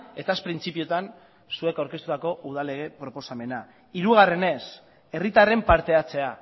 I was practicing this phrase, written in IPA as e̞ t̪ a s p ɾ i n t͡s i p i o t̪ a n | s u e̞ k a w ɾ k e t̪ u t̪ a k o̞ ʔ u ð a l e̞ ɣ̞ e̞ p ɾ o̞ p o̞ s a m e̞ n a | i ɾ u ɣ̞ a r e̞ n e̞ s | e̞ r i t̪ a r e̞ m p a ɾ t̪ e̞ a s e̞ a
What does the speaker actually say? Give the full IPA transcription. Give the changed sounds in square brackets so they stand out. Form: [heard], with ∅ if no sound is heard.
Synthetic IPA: e̞ t̪ a s p ɾ i n t͡s i p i o t̪ a n | s u e̞ k a w ɾ k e t̪ u t̪ a k o̞ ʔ u ð a l e̞ ɣ̞ e̞ p ɾ o̞ p o̞ s a m e̞ n a | i ɾ u ɣ̞ a r e̞ n e̞ s | e̞ r i t̪ a r e̞ m p a ɾ t̪ e̞ a [t͡s] e̞ a